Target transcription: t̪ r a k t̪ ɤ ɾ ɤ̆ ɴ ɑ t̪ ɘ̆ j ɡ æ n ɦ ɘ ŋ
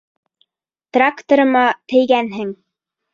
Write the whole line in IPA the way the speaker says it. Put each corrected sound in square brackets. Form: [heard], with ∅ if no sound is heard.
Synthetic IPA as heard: t̪ r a k t̪ [o] ɾ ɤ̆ [m] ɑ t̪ ɘ̆ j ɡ æ n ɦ ɘ ŋ